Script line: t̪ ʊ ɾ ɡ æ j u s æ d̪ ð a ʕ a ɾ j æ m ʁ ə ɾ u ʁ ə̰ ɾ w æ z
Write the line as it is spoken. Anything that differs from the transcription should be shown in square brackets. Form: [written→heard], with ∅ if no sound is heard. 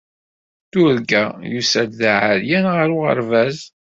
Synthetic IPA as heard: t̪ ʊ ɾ ɡ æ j u s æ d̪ ð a ʕ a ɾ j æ [m→n] ʁ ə ɾ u ʁ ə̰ ɾ [w→v] æ z